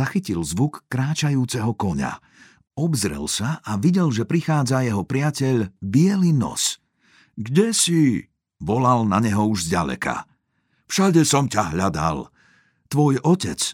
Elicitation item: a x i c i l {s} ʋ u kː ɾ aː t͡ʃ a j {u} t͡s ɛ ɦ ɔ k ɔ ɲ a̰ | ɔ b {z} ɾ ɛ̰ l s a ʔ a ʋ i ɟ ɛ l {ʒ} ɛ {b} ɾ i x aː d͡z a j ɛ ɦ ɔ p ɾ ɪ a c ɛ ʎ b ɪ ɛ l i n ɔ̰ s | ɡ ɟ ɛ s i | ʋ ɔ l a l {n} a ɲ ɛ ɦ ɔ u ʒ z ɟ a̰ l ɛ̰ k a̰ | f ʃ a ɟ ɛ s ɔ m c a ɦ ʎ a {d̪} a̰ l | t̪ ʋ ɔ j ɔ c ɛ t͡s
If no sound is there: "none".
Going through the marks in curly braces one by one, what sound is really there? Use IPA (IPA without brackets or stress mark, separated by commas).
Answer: z, uː, z, ʒ, p, n, d̪